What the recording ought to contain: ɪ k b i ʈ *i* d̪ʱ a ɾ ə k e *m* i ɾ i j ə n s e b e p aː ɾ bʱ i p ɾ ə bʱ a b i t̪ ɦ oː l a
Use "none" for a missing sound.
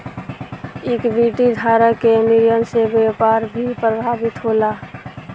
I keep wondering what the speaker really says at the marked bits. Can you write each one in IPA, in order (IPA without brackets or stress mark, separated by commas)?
i, m